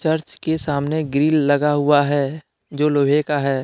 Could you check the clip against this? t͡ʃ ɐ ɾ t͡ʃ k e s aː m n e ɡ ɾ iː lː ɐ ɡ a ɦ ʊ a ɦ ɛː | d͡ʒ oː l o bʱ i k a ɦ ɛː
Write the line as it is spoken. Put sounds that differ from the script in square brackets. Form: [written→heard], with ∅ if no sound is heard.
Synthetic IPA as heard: t͡ʃ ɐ ɾ t͡ʃ k e s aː m n e ɡ ɾ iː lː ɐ ɡ a ɦ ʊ a ɦ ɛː | d͡ʒ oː l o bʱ [i→e] k a ɦ ɛː